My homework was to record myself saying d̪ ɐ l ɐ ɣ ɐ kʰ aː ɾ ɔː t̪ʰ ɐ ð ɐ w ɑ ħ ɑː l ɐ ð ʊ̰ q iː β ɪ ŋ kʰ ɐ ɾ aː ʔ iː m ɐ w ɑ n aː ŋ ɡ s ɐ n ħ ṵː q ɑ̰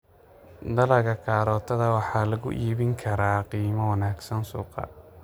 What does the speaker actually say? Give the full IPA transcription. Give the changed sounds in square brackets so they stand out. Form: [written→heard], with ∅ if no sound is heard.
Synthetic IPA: d̪ ɐ l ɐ ɣ ɐ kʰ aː ɾ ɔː t̪ʰ ɐ ð ɐ w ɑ ħ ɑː l ɐ [ð→ɣ] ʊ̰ [q→ʔ] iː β ɪ ŋ kʰ ɐ ɾ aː [ʔ→q] iː m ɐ w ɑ n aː [ŋ→∅] ɡ s ɐ n [ħ→s] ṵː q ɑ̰